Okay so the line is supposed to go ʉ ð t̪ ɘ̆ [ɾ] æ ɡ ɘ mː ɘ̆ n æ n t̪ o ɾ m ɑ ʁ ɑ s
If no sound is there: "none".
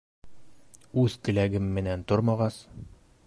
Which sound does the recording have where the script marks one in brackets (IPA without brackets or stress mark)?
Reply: l